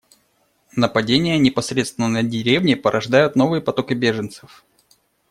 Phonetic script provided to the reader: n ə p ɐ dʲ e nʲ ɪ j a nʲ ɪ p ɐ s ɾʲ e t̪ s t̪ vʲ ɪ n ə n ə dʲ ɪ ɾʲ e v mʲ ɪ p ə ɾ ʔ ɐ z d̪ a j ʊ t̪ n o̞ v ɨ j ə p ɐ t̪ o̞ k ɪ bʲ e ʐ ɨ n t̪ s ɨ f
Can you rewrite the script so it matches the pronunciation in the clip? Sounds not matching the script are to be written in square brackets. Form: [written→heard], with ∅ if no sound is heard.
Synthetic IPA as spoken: n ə p ɐ dʲ e nʲ ɪ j [a→ə] nʲ ɪ p ɐ s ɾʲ e t̪ s t̪ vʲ ɪ n ə n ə dʲ ɪ ɾʲ e v [mʲ→nʲ] ɪ p ə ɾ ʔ ɐ [z→ʐ] d̪ a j ʊ t̪ n o̞ v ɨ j ə p ɐ t̪ o̞ k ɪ bʲ e ʐ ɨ n t̪ s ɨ f